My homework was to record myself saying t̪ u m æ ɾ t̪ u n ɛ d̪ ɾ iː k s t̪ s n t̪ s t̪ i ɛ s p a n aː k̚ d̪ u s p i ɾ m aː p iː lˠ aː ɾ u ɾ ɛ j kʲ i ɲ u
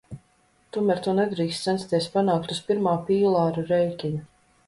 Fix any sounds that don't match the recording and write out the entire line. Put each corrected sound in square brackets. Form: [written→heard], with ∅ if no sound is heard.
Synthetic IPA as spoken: t̪ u m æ ɾ t̪ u n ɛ d̪ ɾ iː k s t̪ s n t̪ s t̪ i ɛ s p a n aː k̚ [d̪→t̪] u s p i ɾ m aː p iː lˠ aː ɾ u ɾ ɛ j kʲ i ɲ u

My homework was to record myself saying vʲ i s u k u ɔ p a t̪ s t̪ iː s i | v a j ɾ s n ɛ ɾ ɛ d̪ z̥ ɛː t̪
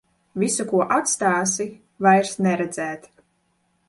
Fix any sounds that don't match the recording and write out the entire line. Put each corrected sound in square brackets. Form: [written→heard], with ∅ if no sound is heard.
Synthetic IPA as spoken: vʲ i s u k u ɔ [p→ʔ] a t̪ s t̪ [iː→aː] s i | v a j ɾ s n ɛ ɾ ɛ d̪ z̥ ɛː t̪

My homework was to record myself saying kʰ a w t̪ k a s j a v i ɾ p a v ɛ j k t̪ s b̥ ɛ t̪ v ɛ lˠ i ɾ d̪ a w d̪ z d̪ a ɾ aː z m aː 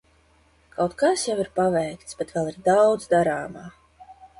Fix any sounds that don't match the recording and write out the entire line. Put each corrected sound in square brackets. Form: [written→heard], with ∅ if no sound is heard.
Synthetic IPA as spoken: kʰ a w t̪ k a s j a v i ɾ p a v ɛ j k t̪ s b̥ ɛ t̪ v ɛ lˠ i ɾ d̪ a w d̪ z d̪ a ɾ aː [z→∅] m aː

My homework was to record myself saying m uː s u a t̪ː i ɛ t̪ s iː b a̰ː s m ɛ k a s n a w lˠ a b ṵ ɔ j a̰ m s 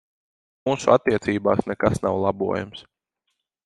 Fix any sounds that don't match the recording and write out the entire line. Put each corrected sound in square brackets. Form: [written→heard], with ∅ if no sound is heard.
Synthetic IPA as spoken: m uː s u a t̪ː i ɛ t̪ s iː b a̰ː s [m→n] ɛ k a s n a w lˠ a b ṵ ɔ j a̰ m s

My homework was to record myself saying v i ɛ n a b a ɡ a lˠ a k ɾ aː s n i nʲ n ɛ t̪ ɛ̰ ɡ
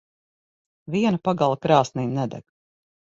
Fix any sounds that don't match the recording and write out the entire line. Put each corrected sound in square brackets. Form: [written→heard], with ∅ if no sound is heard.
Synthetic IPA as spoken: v i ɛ n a [b→p] a ɡ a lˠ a k ɾ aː s n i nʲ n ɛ [t̪→d̪] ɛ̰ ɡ

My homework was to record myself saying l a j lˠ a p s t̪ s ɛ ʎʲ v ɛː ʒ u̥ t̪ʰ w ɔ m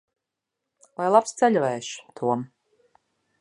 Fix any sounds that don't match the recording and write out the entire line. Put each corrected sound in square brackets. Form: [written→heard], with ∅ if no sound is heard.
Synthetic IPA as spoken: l a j lˠ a p s t̪ s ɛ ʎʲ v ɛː [ʒ→ʃ] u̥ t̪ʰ [w→u] ɔ m

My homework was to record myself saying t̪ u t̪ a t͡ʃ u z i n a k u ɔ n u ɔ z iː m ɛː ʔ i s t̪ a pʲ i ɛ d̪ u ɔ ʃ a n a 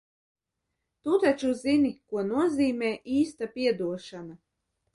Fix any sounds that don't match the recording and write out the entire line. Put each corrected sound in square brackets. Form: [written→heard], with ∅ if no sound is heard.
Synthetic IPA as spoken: t̪ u t̪ a t͡ʃ u z i n [a→i] k u ɔ n u ɔ z iː m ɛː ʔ [i→iː] s t̪ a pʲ i ɛ d̪ u ɔ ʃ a n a

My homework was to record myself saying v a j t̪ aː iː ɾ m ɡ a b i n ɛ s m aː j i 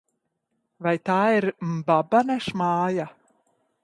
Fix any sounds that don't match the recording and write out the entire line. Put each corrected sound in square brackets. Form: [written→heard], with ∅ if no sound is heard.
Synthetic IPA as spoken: v a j t̪ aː [iː→i] ɾ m [ɡ→b] a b [i→a] n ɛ [s→ʃ] m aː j [i→a]

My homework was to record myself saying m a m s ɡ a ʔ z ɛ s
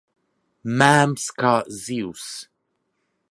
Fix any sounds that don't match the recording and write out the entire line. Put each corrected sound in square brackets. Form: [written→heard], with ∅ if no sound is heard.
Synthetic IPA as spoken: m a m s [ɡ→k] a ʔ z [ɛ→i] s

